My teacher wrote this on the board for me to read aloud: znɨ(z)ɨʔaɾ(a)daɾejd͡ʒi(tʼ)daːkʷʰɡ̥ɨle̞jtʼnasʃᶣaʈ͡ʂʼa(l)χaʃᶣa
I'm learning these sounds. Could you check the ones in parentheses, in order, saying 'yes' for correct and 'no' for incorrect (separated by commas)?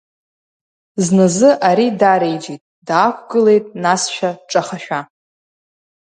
yes, no, yes, no